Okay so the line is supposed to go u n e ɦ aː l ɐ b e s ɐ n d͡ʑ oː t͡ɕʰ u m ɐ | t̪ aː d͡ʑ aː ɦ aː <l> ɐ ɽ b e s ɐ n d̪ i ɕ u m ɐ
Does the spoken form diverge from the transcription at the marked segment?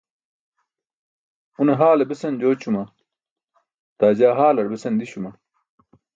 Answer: no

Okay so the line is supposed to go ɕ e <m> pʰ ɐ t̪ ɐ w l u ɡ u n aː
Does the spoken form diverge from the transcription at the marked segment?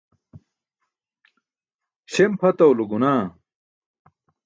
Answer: no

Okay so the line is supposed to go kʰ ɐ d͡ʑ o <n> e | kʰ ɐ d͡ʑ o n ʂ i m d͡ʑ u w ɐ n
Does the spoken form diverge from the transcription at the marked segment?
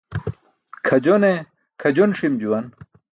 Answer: no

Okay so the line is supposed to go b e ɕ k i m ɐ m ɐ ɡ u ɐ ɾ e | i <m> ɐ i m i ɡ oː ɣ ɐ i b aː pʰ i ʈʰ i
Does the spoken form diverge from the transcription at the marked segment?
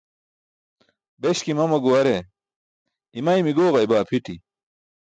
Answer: no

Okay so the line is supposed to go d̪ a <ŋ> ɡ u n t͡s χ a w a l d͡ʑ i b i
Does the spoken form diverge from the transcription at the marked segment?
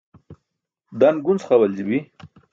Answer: yes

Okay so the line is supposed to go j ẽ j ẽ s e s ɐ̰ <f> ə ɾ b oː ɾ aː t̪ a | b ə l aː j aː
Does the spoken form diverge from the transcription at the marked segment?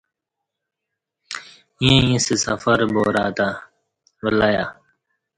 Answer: no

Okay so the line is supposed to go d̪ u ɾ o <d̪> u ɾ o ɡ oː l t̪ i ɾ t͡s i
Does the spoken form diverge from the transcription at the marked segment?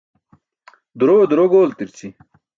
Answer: no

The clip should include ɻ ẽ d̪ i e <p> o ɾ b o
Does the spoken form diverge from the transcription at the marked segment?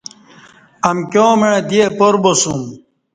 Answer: no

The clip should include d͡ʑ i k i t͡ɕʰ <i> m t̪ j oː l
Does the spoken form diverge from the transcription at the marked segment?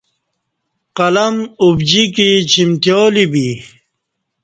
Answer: no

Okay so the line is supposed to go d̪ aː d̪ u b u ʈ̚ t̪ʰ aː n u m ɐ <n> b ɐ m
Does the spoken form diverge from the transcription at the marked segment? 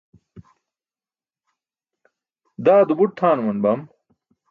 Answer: no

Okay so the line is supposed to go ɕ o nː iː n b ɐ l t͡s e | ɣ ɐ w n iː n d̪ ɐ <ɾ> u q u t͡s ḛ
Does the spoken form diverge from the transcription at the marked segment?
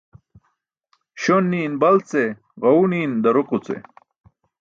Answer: no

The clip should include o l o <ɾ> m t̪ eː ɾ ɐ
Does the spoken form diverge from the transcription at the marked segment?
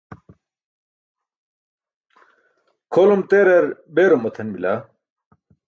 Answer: yes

